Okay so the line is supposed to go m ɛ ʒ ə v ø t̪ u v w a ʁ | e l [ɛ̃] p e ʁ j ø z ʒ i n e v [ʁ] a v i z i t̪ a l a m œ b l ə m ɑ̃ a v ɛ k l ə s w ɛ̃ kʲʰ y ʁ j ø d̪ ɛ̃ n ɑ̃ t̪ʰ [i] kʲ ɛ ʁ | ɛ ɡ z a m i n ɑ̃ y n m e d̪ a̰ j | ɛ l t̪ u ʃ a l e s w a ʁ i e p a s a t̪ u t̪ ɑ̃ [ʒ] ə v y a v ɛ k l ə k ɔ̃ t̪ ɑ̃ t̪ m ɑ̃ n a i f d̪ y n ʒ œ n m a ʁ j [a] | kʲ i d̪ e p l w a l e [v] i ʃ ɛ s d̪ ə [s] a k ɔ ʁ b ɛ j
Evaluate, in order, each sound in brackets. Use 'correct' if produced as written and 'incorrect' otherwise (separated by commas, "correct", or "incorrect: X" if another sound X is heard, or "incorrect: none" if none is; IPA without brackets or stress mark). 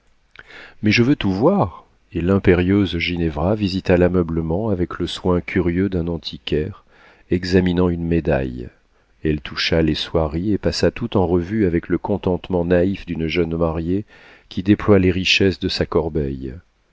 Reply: correct, correct, correct, incorrect: ʁ, incorrect: e, incorrect: ʁ, correct